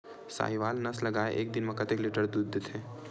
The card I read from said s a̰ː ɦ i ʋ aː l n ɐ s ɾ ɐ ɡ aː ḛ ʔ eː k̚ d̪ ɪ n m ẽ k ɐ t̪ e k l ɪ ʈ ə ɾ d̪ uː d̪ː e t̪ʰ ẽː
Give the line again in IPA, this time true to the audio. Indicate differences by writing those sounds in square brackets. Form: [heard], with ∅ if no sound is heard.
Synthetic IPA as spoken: s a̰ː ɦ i ʋ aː l n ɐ s [l] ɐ ɡ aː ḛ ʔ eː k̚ d̪ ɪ n m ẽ k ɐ t̪ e k l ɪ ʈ ə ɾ d̪ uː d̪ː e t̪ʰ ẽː

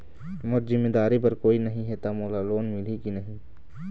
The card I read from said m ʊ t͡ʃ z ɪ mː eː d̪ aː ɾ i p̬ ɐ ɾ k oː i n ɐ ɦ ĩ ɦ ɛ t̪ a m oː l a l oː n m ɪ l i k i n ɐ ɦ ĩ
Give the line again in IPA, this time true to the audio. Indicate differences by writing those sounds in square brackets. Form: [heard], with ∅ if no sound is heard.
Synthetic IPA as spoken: m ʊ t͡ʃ z ɪ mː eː d̪ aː ɾ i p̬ ɐ ɾ k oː i n ɐ ɦ ĩ ɦ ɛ t̪ a m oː l a l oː n m ɪ l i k i n ɐ ɦ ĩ

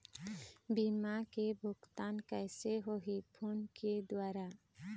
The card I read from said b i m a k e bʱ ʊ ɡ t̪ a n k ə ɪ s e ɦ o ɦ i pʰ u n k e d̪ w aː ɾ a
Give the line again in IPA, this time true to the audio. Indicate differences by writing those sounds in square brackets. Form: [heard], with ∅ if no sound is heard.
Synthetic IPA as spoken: b i m a k e bʱ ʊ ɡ t̪ a n k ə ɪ s e ɦ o ɦ i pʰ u n k e d̪ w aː ɾ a

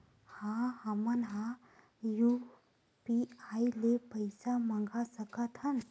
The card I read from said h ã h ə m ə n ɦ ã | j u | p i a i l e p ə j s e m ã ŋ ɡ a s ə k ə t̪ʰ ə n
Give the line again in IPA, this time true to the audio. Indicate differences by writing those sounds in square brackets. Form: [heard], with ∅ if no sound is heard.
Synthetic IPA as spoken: h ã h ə m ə n ɦ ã | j u | p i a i l e p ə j s [a] m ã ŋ ɡ a s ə k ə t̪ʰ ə n

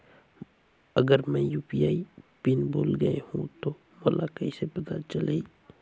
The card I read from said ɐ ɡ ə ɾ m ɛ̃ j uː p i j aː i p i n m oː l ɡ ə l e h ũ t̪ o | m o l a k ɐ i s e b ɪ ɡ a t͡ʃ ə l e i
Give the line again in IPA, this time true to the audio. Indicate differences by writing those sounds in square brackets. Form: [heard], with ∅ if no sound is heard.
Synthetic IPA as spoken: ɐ ɡ ə ɾ m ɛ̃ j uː p i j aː i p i n [b] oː l ɡ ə [∅] e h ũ t̪ o | m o l a k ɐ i s e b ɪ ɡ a t͡ʃ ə l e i

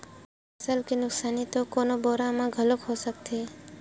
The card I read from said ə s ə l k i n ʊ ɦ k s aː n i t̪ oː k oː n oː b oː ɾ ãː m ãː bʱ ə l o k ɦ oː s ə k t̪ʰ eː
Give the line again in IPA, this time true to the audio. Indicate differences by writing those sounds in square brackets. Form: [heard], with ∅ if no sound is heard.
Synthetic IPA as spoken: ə s ə l k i n ʊ [∅] k s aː n i t̪ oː k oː n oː b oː ɾ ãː m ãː [ɡʱ] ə l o k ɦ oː s ə k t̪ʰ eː

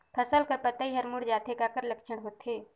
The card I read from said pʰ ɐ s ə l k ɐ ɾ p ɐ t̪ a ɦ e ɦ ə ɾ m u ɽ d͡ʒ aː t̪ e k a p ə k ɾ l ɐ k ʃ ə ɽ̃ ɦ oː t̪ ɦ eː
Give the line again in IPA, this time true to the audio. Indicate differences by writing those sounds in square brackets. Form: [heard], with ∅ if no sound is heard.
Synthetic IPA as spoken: pʰ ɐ s ə l k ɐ ɾ p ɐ t̪ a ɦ [i] ɦ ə ɾ m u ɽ d͡ʒ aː t̪ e k a [k] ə [∅] ɾ l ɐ k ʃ ə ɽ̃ ɦ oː t̪ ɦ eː

